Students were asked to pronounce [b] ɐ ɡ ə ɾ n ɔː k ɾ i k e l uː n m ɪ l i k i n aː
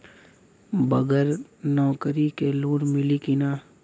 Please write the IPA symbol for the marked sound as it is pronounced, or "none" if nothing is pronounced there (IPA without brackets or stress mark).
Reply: b